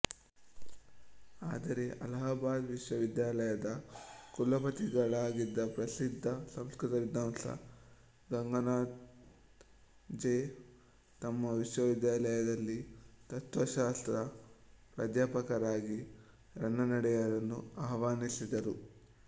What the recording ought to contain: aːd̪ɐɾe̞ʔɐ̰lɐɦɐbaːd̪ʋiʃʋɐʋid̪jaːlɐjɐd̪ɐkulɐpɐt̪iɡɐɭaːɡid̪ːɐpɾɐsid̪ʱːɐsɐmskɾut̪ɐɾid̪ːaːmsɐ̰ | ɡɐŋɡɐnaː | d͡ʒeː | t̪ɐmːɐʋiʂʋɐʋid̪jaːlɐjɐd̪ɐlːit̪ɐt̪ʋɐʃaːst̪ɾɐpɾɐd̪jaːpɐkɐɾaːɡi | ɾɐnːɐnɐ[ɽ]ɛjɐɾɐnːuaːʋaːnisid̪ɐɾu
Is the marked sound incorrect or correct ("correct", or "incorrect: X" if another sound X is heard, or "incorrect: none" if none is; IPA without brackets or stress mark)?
correct